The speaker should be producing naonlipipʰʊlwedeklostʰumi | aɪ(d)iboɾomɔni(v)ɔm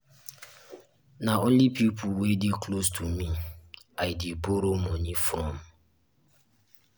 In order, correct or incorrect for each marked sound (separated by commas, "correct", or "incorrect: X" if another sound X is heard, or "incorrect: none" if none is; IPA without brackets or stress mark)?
correct, incorrect: f